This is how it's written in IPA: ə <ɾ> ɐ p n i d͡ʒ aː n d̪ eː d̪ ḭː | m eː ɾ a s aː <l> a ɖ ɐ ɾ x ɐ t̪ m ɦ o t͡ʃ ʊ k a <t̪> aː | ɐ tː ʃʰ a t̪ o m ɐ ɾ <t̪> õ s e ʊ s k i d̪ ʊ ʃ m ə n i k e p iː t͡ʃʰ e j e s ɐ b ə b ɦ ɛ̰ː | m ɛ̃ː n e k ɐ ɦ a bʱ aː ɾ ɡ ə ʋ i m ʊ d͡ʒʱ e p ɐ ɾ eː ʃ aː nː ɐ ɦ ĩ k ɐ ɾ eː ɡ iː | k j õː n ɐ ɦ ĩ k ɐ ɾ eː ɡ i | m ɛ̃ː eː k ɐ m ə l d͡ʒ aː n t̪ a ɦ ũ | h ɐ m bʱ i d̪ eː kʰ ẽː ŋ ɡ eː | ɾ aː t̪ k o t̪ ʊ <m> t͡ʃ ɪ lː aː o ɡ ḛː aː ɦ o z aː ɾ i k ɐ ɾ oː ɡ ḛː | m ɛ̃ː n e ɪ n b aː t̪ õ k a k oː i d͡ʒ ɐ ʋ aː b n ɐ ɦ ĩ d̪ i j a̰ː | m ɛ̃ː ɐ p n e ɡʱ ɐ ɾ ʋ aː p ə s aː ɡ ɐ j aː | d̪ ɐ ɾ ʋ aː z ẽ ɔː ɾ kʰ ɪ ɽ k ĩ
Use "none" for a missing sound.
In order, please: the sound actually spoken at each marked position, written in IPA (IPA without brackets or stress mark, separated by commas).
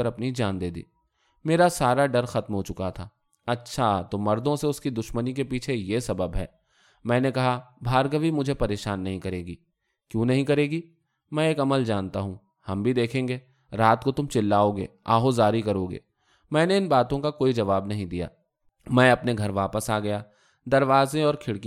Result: ɾ, ɾ, t̪ʰ, d̪, m